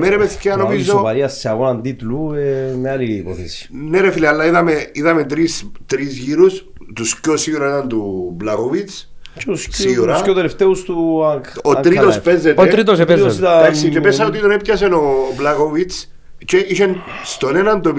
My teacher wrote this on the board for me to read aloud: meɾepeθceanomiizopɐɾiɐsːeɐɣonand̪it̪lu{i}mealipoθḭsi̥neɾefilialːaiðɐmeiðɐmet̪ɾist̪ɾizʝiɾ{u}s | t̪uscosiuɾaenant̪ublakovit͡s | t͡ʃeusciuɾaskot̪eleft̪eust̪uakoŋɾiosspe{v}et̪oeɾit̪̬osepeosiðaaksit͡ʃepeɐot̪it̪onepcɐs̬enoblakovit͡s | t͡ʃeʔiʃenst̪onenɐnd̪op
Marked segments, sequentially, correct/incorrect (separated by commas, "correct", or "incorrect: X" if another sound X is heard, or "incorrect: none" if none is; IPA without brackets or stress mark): incorrect: e, correct, incorrect: z